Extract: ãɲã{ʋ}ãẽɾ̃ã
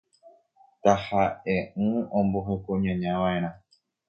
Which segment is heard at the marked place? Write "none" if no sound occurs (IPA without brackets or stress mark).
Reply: ʋ